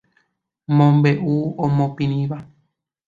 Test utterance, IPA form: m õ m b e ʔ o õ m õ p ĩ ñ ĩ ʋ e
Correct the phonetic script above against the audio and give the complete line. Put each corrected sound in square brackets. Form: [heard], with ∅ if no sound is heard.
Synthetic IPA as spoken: m õ m b e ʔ [u] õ m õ p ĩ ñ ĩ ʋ [a]